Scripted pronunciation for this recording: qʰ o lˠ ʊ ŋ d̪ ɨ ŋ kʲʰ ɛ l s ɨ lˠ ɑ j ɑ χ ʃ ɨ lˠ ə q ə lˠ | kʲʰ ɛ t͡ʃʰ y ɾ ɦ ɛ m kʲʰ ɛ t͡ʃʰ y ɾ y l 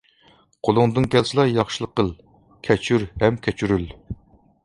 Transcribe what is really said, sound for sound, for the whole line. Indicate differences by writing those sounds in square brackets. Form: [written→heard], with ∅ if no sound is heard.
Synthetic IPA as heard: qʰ o lˠ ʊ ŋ d̪ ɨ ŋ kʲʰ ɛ l s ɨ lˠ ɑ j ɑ χ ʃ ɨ lˠ ə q ə lˠ | kʲʰ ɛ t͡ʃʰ y ɾ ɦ ɛ m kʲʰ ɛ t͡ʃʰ y ɾ y l

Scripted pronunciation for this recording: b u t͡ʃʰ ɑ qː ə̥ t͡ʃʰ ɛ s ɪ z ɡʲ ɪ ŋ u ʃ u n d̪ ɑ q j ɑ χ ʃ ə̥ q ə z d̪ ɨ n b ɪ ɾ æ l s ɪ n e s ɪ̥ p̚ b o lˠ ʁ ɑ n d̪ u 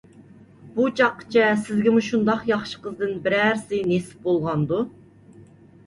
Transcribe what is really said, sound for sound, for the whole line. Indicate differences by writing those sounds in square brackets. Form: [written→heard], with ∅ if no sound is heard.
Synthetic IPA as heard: b u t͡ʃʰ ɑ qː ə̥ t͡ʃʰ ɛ s ɪ z ɡʲ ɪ [ŋ→m] u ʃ u n d̪ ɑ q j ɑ χ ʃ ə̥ q ə z d̪ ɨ n b ɪ ɾ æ [l→ɾ] s ɪ n e s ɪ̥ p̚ b o lˠ ʁ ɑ n d̪ u

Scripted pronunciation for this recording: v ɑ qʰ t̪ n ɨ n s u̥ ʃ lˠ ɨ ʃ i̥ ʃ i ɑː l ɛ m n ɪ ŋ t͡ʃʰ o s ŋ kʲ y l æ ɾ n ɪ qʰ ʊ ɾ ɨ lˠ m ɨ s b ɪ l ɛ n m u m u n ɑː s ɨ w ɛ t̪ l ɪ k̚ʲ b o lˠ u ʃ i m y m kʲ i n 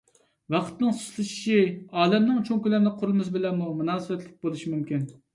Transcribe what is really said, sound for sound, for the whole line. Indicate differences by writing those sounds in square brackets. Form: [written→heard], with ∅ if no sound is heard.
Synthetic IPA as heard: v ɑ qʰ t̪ n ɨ [n→ŋ] s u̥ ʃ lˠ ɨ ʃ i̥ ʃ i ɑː l ɛ m n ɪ ŋ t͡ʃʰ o [s→∅] ŋ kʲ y l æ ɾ n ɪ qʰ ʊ ɾ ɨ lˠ m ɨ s b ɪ l ɛ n m u m u n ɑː s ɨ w ɛ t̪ l ɪ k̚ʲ b o lˠ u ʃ i m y m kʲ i n

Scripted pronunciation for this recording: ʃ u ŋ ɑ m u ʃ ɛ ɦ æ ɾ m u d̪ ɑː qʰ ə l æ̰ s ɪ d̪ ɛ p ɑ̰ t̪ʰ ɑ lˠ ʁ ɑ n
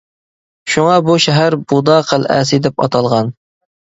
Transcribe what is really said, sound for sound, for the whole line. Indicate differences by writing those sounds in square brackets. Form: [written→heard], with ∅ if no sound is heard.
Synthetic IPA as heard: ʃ u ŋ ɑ [m→b] u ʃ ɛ ɦ æ ɾ [m→b] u d̪ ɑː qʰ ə l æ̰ s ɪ d̪ ɛ p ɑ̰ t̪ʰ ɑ lˠ ʁ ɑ n

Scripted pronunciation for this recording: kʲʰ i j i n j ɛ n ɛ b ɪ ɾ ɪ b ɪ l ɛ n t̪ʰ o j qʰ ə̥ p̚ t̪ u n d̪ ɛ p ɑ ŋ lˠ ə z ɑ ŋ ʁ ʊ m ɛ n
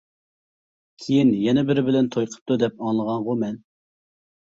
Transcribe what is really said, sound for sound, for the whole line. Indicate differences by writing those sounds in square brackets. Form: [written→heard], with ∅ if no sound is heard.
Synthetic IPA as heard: kʲʰ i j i n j ɛ n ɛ b ɪ ɾ ɪ b ɪ l ɛ n t̪ʰ o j qʰ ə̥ p̚ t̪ u [n→∅] d̪ ɛ p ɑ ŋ lˠ ə [z→ʁ] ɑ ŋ ʁ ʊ m ɛ n

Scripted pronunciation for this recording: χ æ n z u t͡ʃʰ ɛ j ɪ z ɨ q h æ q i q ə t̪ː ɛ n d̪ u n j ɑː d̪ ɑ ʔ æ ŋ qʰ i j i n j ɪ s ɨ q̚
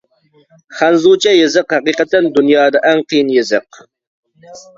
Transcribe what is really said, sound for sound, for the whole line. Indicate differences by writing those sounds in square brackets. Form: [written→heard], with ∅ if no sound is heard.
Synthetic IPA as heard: χ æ n z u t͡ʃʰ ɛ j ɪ z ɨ q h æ q i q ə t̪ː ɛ n d̪ u n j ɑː d̪ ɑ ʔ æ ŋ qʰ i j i n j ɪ [s→z] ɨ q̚

